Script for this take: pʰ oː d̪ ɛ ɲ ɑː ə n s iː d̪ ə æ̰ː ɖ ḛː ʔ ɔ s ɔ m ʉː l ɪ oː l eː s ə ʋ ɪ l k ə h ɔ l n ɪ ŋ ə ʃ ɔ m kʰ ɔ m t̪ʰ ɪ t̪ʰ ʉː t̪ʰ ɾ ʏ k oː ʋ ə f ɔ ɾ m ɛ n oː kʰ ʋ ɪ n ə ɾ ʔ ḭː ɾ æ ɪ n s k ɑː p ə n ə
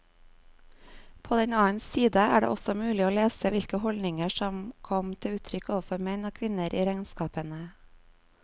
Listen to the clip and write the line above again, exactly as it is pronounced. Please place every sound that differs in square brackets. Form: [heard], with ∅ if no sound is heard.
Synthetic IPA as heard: pʰ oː d̪ ɛ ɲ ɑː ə n s iː d̪ ə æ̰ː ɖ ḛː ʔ ɔ s ɔ m ʉː l ɪ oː l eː s ə ʋ ɪ l k ə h ɔ l n ɪ ŋ ə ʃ ɔ m kʰ ɔ m t̪ʰ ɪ [∅] ʉː t̪ʰ ɾ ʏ k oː ʋ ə f ɔ ɾ m ɛ n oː kʰ ʋ ɪ n ə ɾ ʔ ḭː ɾ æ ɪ n s k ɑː p ə n ə